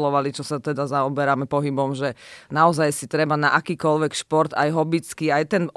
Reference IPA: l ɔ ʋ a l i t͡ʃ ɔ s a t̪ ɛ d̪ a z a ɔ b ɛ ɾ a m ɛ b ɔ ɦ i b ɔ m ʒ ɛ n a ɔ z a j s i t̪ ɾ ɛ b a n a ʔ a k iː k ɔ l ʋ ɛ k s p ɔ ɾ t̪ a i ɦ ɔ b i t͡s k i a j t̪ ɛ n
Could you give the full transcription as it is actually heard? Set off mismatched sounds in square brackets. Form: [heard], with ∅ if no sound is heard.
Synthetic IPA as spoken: l ɔ ʋ a l i t͡ʃ ɔ s a t̪ ɛ d̪ a z a ɔ b ɛ ɾ a m ɛ [p] ɔ ɦ i b ɔ m ʒ ɛ n a ɔ z a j s i t̪ ɾ ɛ b a n a ʔ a k iː k ɔ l ʋ ɛ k [ʃ] p ɔ ɾ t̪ a [j] ɦ ɔ b i t͡s k i a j t̪ ɛ n